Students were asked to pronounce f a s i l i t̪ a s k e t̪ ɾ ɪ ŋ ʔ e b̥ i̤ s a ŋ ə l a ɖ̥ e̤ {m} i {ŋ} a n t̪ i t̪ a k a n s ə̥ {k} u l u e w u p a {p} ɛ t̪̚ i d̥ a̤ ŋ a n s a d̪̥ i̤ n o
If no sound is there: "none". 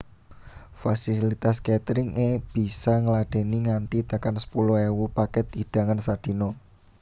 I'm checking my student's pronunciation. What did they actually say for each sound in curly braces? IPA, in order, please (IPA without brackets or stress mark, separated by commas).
n, ŋ, p, k